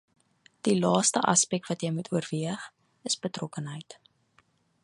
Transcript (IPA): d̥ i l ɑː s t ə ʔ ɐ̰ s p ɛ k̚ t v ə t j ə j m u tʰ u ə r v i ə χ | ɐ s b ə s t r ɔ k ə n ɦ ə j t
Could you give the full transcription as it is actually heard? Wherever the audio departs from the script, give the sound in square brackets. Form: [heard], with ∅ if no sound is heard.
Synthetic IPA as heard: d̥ i l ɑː s t ə ʔ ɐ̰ s p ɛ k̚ t v [ɐ] t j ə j m u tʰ u ə r v i ə χ | [ə] s b ə [∅] t r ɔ k ə n ɦ ə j t